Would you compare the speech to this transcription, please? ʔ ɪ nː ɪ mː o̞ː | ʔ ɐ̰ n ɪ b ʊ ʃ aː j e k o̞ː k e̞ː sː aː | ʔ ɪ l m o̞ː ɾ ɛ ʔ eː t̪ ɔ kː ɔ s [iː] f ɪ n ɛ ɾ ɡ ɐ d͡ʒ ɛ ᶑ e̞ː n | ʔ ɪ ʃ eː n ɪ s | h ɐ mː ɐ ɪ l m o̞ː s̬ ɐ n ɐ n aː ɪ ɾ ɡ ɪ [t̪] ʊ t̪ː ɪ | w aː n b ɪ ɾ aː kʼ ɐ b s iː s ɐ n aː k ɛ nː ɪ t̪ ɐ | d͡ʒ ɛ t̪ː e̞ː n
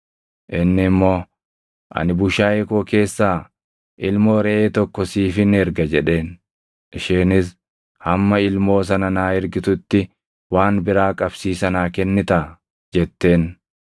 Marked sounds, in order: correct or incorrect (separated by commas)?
correct, correct